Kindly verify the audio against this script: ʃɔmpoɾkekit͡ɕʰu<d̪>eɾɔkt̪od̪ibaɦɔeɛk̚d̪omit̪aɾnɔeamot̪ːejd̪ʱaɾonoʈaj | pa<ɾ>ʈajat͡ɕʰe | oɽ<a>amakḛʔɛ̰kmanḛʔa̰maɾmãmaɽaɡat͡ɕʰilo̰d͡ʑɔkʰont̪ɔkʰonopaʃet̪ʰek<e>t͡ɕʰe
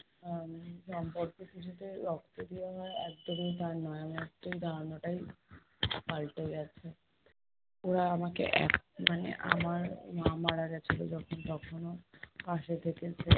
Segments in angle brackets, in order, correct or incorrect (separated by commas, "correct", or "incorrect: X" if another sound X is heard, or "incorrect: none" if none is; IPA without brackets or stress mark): incorrect: t̪, incorrect: l, correct, correct